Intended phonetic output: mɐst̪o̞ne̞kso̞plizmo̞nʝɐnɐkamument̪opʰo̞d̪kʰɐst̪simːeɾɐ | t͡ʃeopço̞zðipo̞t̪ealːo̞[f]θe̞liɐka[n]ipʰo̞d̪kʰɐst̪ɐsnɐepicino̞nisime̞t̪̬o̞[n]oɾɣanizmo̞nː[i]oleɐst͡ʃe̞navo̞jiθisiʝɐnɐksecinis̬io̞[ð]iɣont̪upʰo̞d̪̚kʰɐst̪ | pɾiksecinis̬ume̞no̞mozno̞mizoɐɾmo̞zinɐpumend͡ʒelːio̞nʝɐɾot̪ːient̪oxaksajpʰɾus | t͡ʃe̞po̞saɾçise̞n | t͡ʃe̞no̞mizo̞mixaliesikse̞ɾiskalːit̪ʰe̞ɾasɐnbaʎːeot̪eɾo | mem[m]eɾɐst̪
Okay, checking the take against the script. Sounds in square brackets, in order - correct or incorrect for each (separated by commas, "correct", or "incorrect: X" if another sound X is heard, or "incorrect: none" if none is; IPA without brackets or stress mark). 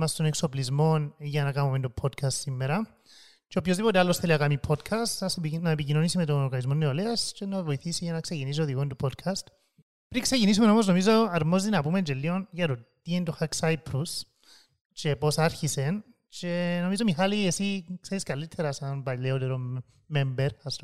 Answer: incorrect: s, incorrect: m, correct, incorrect: e, correct, incorrect: b